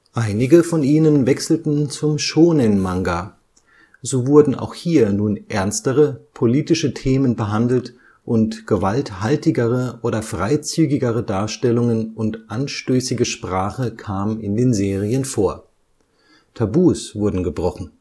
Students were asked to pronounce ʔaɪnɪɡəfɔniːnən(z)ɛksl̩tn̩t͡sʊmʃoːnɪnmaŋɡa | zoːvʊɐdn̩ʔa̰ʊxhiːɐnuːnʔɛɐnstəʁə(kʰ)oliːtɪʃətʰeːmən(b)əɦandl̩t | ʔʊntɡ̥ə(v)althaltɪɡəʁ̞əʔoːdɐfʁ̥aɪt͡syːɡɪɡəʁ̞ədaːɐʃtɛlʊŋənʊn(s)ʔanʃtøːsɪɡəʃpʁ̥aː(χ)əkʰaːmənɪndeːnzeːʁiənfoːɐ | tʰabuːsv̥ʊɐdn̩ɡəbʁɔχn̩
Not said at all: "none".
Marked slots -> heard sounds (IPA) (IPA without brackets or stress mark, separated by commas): v, pʰ, b, v, t, χ